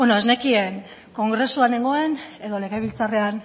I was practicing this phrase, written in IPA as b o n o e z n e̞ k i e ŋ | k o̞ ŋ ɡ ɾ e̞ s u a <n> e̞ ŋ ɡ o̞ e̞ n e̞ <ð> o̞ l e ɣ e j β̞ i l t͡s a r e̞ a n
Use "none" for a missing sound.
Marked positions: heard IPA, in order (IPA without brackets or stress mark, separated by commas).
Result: n, ð